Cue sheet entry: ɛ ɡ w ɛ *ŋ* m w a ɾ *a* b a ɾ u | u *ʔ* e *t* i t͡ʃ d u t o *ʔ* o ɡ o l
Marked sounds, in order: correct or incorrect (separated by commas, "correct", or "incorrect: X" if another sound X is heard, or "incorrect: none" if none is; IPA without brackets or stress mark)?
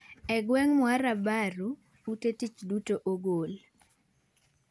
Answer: correct, correct, incorrect: t, correct, correct